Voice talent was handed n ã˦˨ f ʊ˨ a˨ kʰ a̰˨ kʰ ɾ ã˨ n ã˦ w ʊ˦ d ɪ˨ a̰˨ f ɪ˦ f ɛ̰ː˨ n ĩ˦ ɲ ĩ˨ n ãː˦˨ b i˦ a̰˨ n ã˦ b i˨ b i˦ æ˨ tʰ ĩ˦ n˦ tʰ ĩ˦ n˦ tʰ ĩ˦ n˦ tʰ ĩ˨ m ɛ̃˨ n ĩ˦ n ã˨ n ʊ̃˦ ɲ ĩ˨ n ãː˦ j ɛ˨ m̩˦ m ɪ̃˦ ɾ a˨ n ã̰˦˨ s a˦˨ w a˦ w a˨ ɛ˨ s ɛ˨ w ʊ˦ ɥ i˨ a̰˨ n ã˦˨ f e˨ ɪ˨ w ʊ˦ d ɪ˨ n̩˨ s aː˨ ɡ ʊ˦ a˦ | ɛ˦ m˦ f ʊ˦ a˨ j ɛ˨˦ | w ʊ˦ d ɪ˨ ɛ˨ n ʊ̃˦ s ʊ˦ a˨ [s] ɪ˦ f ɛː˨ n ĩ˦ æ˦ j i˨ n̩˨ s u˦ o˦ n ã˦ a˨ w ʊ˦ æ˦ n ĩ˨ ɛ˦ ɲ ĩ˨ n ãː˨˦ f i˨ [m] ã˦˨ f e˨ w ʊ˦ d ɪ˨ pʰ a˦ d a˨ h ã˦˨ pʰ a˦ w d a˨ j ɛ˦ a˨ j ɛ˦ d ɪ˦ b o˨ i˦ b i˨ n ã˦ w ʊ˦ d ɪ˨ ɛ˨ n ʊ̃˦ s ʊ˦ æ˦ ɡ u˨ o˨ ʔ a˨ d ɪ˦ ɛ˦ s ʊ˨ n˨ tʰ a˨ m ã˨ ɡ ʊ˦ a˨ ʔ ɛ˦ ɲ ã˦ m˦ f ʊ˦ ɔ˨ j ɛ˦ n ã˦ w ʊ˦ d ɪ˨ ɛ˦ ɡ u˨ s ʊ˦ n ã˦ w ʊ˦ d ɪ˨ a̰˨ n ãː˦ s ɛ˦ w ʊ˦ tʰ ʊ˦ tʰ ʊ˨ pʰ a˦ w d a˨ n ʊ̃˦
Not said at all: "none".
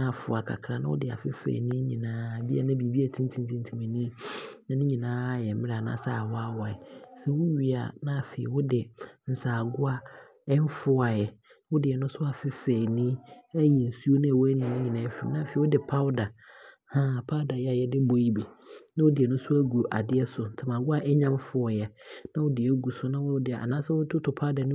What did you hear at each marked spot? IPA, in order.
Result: f, n

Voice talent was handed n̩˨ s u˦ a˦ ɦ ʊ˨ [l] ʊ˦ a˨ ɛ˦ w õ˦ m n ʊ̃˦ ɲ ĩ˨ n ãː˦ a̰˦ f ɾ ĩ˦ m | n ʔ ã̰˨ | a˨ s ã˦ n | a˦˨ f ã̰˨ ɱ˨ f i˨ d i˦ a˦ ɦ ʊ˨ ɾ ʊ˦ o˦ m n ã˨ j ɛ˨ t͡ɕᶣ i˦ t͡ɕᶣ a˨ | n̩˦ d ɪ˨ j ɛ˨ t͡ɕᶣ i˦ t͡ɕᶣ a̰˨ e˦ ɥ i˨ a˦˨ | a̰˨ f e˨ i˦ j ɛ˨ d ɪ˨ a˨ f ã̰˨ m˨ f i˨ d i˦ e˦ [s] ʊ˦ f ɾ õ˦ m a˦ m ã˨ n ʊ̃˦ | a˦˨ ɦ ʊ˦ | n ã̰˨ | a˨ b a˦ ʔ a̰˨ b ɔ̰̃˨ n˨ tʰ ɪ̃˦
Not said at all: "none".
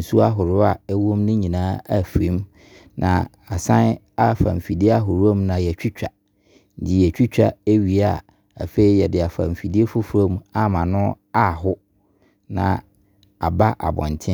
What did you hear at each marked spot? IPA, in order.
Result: ɾ, f

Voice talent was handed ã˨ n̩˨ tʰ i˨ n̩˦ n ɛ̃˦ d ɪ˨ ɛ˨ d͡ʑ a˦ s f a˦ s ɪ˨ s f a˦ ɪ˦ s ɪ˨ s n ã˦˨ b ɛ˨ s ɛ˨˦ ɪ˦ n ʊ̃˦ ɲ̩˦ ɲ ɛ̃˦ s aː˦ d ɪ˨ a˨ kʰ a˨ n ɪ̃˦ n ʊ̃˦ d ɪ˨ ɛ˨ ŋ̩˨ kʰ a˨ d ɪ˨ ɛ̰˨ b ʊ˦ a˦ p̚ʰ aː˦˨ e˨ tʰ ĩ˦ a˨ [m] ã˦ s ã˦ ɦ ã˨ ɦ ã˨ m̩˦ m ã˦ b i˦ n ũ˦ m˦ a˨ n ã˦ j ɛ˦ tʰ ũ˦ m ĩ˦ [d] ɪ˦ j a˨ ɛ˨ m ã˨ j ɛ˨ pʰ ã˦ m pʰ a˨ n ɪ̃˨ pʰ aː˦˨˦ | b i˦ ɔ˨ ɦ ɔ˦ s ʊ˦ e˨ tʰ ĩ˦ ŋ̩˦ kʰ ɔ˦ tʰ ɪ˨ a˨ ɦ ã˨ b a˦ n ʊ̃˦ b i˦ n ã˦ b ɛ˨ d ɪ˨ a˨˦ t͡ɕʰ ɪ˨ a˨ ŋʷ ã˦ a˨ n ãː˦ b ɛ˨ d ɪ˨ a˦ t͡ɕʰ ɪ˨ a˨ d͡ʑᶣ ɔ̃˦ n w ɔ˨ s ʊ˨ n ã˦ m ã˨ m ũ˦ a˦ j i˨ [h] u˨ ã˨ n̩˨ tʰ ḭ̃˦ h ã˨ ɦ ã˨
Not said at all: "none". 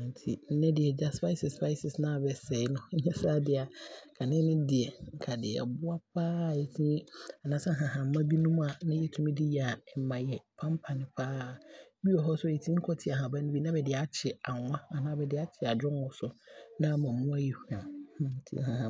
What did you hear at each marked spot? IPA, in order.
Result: n, d, h

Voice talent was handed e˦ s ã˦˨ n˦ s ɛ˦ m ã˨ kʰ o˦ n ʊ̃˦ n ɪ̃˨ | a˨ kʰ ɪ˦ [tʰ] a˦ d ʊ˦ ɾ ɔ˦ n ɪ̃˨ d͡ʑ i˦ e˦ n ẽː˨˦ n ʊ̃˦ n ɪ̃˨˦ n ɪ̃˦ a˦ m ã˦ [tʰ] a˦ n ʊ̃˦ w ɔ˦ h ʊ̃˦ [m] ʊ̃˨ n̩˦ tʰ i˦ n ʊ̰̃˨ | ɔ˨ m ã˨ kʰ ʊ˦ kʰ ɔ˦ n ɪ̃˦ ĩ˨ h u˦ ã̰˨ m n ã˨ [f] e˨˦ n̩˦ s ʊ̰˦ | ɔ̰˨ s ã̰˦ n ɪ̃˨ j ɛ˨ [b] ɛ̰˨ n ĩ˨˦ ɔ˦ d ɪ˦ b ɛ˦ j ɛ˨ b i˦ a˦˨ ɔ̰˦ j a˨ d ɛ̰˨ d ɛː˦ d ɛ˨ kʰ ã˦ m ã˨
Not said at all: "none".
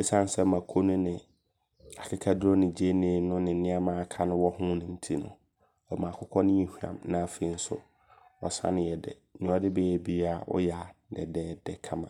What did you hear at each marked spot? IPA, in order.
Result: kʰ, kʰ, n, f, d

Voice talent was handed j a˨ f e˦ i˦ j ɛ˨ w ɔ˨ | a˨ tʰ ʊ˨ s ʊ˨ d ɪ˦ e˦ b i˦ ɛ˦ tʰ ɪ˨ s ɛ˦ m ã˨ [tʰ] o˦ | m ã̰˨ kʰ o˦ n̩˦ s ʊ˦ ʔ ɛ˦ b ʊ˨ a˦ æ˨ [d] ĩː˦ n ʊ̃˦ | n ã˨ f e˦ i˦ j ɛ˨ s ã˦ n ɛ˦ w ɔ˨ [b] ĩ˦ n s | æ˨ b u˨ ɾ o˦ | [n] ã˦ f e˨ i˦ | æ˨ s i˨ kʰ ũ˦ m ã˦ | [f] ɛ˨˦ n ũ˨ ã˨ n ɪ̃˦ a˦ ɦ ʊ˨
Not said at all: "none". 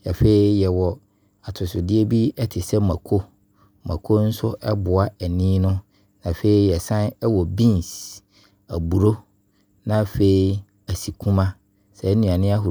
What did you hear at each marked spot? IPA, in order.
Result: kʰ, n, b, n, s

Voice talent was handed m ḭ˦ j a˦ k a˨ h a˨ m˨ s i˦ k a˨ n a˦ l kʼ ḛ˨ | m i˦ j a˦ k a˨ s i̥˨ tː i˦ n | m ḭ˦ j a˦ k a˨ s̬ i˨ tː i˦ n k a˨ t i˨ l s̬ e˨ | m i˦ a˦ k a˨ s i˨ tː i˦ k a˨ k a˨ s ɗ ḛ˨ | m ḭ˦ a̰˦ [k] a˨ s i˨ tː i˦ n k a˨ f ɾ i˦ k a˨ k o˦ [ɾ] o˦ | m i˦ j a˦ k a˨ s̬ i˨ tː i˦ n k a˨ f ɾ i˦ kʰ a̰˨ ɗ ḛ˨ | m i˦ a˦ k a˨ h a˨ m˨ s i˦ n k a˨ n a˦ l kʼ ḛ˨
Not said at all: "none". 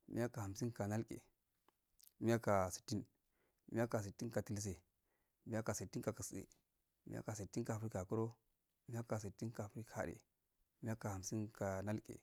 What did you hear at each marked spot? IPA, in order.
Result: k, ɾ

